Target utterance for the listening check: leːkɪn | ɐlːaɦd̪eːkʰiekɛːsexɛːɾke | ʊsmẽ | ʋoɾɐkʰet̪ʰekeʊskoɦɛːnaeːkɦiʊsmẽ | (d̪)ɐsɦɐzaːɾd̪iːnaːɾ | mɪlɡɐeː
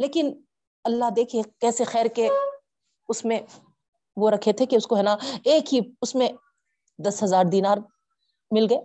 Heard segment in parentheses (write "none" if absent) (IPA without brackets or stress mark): d̪